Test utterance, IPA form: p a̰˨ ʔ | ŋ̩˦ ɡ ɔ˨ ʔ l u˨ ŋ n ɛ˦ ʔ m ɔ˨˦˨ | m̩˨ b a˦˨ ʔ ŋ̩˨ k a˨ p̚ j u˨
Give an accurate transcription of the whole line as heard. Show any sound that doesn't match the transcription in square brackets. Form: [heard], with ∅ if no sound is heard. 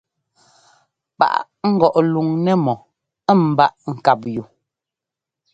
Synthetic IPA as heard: p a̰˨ ʔ | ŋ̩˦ ɡ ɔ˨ ʔ l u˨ ŋ n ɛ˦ [∅] m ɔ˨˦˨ | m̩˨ b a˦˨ ʔ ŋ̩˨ k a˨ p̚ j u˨